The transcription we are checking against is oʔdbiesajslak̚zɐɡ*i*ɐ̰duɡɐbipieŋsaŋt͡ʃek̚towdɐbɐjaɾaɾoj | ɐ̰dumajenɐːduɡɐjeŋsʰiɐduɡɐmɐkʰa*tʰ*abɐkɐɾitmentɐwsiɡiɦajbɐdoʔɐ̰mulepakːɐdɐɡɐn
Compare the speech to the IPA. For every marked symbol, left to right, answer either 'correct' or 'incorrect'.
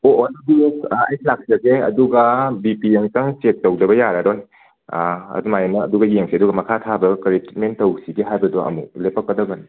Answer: incorrect, correct

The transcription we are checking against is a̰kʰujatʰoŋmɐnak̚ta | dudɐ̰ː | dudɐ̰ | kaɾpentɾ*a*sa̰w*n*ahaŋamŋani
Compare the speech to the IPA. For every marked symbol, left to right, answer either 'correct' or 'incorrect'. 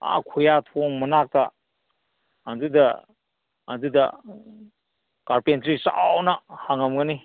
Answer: incorrect, correct

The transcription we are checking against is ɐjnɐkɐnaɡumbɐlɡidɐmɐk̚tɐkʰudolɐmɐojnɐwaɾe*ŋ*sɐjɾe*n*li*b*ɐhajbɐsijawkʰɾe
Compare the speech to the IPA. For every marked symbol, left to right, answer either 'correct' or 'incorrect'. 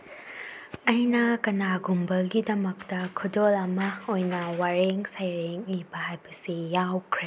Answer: correct, incorrect, correct

